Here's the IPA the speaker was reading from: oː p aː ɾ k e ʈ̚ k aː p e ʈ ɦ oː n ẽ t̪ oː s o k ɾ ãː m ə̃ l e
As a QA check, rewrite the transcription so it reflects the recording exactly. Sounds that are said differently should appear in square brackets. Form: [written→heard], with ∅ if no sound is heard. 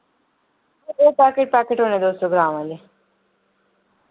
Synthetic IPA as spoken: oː p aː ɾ k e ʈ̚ [k→p] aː [p→k] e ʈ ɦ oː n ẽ [t̪→d̪] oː s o [k→ɡ] ɾ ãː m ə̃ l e